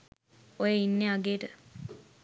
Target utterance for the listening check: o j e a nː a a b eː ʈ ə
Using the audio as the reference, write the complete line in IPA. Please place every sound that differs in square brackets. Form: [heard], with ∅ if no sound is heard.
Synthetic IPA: o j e [i] nː [e] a [ɡ] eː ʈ ə